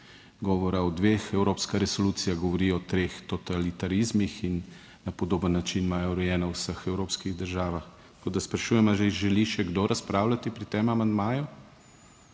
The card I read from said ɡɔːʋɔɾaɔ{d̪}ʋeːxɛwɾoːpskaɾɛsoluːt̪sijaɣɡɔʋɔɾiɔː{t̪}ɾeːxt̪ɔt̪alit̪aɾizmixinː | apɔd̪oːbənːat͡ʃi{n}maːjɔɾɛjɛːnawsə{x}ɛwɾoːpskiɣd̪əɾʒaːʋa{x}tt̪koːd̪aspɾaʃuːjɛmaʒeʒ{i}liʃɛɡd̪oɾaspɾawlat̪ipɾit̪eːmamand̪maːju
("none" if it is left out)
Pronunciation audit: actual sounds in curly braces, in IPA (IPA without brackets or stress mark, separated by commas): d̪, t̪, n, x, x, ɛ